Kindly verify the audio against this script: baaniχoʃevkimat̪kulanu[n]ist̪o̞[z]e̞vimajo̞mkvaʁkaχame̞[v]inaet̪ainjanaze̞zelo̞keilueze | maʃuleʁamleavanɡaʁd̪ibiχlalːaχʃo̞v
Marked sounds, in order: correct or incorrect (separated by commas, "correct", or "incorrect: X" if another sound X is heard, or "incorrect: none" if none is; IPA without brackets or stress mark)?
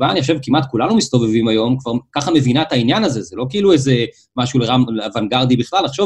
incorrect: m, incorrect: v, correct